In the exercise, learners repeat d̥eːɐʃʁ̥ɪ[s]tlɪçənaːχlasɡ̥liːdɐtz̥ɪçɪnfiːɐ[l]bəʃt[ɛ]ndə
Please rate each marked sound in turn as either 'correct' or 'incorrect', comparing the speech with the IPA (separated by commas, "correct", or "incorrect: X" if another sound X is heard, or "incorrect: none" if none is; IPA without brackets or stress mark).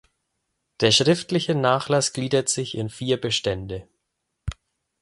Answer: incorrect: f, incorrect: none, correct